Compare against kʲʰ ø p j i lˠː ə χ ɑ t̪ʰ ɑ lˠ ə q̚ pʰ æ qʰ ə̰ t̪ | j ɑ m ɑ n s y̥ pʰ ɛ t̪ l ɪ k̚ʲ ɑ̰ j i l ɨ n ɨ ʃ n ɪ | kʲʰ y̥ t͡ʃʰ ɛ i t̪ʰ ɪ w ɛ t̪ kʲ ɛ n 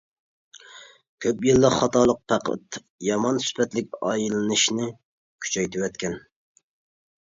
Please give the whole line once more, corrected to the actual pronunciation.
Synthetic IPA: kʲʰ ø p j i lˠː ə χ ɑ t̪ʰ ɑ lˠ ə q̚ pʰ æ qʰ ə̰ t̪ | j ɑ m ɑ n s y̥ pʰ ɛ t̪ l ɪ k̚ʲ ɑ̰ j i l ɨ n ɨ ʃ n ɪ | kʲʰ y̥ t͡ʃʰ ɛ j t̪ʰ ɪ w ɛ t̪ kʲ ɛ n